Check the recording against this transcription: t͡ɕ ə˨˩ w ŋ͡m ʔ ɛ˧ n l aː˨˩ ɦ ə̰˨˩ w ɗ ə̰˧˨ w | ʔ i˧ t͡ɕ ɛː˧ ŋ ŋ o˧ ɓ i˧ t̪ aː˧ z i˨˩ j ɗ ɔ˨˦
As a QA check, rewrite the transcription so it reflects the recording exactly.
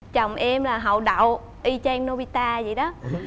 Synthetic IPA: t͡ɕ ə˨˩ w ŋ͡m ʔ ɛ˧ m l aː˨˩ ɦ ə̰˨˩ w ɗ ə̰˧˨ w | ʔ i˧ t͡ɕ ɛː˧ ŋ n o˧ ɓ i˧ t̪ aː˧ z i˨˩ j ɗ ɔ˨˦